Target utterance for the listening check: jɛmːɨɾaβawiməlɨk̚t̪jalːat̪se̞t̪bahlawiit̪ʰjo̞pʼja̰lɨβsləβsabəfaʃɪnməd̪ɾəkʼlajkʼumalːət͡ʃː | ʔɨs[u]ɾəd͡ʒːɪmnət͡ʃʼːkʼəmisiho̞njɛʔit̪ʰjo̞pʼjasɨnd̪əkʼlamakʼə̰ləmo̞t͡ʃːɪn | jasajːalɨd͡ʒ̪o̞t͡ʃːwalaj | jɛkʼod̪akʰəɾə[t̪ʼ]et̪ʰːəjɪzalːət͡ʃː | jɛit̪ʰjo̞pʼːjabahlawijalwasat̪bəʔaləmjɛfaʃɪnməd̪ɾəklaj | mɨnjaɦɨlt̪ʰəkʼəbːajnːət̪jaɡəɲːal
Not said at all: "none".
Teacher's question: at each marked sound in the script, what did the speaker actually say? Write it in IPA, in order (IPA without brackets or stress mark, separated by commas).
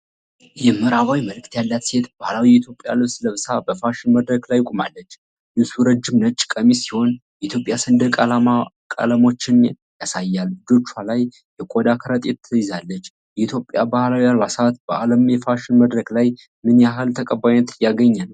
u, t̪ʼ